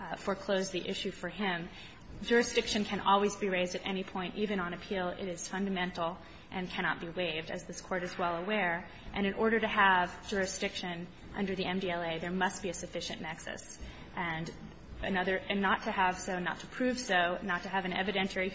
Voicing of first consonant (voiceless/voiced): voiceless